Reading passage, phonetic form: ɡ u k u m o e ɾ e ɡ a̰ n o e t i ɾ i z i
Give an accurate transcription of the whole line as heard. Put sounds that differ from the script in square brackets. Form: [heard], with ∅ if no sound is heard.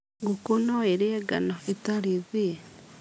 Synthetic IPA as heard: ɡ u k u [n] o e ɾ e ɡ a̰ n o e t [a] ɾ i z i